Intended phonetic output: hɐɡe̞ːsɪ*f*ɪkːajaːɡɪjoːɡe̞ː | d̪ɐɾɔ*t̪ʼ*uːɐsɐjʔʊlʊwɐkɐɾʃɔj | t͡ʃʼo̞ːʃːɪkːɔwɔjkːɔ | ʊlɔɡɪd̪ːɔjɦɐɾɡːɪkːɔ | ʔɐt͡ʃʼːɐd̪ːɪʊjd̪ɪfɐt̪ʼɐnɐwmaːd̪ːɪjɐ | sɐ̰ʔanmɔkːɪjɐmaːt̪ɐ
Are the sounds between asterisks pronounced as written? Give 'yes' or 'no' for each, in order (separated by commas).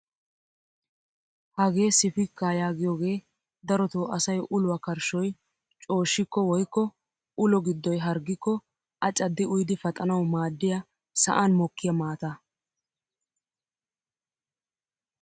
yes, no